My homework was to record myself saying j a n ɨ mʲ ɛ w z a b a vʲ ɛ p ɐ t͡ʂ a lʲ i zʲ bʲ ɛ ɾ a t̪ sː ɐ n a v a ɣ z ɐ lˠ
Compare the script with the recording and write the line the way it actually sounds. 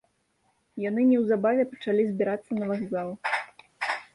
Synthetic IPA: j a n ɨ nʲ ɛ w z a b a vʲ ɛ p ɐ t͡ʂ a lʲ i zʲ bʲ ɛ ɾ a t̪ sː ɐ n ɐ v a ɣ z a lˠ